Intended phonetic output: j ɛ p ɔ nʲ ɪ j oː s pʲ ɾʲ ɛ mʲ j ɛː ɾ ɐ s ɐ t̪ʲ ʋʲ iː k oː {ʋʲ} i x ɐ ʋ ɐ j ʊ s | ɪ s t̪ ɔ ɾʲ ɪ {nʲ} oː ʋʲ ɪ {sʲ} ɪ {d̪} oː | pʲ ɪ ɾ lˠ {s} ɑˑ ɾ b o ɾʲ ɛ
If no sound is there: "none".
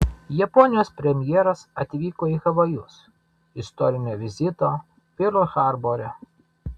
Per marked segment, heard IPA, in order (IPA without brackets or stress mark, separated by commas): none, nʲ, zʲ, t̪, x